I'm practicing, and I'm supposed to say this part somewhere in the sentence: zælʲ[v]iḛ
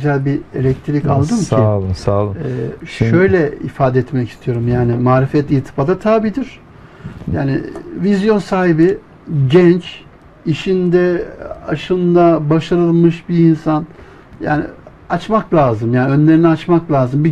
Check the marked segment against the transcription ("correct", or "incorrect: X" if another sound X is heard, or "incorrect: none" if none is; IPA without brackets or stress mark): incorrect: b